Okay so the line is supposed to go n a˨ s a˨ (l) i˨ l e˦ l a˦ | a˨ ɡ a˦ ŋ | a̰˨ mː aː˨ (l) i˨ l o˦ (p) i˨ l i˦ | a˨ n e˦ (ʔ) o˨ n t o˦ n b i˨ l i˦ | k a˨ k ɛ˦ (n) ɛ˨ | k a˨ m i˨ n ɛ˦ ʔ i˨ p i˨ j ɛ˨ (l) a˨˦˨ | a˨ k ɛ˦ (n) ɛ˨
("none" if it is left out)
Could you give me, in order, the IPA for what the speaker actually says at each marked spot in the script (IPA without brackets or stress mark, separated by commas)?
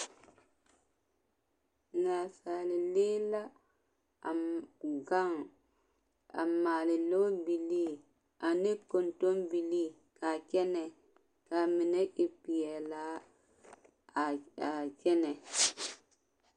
l, l, b, k, n, l, n